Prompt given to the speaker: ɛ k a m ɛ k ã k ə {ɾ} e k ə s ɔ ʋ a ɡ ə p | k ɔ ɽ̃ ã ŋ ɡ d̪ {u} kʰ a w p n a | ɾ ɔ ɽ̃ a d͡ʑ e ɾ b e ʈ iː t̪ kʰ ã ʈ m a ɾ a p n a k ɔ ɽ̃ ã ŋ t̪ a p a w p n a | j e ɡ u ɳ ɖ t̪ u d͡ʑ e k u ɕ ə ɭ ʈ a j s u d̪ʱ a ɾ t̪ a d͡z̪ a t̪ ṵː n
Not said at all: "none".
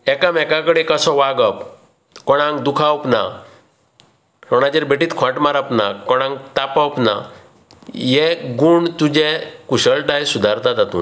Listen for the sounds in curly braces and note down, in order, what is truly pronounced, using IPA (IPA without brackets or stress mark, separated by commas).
ɽ, u